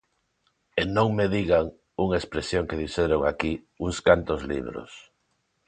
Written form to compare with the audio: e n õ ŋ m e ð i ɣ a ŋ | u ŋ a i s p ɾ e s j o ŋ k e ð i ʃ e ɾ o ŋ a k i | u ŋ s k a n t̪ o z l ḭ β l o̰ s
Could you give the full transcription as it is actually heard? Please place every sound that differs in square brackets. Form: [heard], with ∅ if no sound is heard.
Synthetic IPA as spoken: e n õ ŋ m e ð i ɣ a ŋ | u ŋ a [e] s p ɾ e s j o ŋ k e ð i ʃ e ɾ o ŋ a k i | u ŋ s k a n t̪ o z l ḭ β [ɾ] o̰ s